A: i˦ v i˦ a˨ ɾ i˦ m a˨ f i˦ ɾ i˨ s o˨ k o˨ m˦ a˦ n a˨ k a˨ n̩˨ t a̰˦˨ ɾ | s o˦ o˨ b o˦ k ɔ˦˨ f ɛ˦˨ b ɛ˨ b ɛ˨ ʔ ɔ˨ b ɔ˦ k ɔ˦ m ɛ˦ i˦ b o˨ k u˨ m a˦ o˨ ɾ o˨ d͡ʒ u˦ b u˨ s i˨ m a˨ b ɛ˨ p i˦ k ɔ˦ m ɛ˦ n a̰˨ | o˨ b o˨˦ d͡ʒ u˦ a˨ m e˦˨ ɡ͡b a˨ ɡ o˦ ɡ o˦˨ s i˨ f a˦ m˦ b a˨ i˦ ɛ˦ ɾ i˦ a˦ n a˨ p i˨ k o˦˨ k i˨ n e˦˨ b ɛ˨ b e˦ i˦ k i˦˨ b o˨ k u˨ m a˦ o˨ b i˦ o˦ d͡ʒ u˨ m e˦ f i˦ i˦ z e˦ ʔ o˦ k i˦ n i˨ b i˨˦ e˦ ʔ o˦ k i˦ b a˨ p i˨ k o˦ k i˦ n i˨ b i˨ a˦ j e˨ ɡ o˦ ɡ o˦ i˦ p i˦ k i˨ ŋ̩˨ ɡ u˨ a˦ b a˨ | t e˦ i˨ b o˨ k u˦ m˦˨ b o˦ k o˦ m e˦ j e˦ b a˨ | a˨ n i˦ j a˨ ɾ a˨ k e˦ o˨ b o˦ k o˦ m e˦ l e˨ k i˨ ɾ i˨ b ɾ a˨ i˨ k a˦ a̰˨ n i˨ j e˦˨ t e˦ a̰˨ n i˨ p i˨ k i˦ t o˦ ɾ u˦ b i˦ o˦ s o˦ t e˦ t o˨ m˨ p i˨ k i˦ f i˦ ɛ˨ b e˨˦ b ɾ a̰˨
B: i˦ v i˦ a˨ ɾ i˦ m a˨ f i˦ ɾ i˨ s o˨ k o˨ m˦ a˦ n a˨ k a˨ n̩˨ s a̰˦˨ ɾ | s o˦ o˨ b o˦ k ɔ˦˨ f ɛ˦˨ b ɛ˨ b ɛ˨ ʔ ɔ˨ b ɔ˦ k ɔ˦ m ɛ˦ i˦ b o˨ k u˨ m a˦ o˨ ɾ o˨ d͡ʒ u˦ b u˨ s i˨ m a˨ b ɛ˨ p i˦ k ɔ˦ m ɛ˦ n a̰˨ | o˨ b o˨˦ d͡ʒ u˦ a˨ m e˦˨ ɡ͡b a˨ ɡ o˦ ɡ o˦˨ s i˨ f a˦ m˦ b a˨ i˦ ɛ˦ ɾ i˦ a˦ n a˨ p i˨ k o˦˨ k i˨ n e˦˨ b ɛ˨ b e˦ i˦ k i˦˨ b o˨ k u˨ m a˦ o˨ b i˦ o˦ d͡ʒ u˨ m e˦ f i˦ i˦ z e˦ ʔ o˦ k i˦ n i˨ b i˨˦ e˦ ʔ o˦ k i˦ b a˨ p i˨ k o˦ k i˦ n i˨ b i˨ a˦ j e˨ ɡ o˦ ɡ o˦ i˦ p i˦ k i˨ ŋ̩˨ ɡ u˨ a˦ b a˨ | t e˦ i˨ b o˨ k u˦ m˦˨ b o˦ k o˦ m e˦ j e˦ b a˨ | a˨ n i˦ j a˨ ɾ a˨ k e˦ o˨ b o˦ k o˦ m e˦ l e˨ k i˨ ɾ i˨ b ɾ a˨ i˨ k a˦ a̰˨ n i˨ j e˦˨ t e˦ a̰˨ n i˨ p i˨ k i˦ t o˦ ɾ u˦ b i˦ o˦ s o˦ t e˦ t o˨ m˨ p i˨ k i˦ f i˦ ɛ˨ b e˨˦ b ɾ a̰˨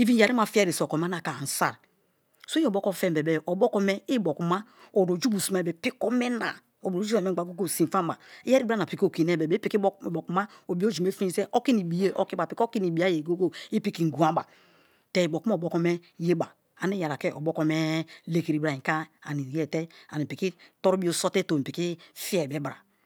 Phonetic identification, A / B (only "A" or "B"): B